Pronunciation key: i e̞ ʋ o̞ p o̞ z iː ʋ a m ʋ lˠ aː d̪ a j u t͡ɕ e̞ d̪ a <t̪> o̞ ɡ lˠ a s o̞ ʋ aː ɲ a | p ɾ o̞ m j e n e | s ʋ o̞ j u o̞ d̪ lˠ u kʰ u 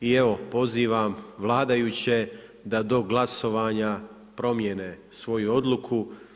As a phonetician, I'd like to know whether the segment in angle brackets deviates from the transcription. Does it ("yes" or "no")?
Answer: yes